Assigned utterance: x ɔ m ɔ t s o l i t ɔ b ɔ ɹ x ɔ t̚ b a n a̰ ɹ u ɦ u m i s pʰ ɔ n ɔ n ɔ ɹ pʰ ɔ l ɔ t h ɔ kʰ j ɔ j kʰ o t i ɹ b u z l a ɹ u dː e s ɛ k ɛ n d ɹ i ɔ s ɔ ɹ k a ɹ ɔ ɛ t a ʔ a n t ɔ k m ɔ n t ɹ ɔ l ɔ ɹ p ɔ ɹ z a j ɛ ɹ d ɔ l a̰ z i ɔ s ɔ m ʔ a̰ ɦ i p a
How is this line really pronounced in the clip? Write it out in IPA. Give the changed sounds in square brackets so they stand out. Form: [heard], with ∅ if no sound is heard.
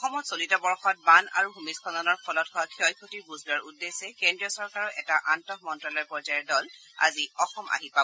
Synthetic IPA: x ɔ m ɔ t s o l i t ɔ b ɔ ɹ x ɔ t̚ b a n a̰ ɹ u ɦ u m i s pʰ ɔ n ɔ n ɔ ɹ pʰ ɔ l ɔ t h ɔ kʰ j ɔ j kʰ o t i ɹ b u z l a ɹ u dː e s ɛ k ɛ n d ɹ i ɔ s ɔ ɹ k a ɹ ɔ ɛ t a ʔ a n t ɔ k m ɔ n t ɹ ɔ l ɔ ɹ p ɔ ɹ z a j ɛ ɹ d ɔ l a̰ z i ɔ [x] ɔ m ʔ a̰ ɦ i p a